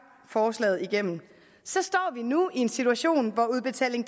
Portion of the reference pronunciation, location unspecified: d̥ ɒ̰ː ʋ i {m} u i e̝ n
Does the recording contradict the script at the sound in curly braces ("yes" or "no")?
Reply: yes